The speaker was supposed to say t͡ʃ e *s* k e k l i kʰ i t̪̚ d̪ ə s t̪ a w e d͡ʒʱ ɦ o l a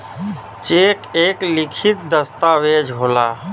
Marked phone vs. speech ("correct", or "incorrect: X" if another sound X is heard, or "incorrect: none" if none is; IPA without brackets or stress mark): incorrect: none